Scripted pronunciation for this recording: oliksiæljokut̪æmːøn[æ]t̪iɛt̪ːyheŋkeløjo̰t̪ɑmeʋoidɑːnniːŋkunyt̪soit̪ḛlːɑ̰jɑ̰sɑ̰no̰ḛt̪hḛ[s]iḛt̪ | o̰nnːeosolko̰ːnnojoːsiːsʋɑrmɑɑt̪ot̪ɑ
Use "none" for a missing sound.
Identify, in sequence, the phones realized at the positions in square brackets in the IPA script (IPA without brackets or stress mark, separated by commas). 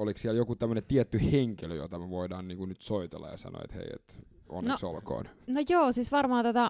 e, none